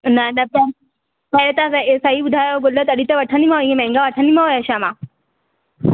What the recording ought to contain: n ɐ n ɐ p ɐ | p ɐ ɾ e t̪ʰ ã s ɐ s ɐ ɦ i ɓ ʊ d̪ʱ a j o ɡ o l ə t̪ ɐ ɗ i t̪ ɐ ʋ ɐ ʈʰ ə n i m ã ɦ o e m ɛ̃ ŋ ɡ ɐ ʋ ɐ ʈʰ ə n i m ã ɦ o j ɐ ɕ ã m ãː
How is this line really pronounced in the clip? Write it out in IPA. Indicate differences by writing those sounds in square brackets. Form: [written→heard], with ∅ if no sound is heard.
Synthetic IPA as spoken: n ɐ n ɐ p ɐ | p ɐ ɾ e [t̪ʰ→t̪] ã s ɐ s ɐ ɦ i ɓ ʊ d̪ʱ a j o ɡ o l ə t̪ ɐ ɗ i t̪ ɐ ʋ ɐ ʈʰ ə n i m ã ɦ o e m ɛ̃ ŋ ɡ [ɐ→a] ʋ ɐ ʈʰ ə n i m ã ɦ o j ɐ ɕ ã m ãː